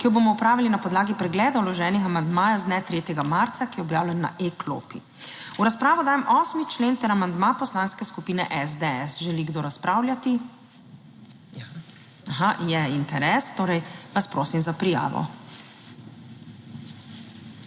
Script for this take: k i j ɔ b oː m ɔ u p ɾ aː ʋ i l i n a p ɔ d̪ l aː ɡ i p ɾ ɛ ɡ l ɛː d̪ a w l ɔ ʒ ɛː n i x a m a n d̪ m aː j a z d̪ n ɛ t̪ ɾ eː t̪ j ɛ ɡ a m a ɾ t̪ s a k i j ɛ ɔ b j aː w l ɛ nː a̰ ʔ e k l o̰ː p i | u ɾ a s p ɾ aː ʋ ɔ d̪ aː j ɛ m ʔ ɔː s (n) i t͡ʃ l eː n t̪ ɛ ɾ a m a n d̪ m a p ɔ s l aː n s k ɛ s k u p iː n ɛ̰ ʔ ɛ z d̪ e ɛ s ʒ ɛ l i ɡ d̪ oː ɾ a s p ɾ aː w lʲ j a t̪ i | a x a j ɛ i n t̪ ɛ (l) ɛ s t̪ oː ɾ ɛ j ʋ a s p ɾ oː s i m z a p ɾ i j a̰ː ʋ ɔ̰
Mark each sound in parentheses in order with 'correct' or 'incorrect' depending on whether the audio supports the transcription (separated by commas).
incorrect, incorrect